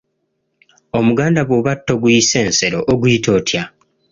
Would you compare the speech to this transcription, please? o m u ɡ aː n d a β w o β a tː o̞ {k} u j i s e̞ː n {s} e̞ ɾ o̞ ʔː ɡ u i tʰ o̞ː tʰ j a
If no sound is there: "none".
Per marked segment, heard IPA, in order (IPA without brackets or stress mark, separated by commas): ɡ, s